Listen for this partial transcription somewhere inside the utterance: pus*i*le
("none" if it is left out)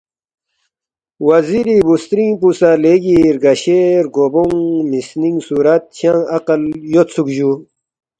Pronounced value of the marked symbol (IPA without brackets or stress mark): a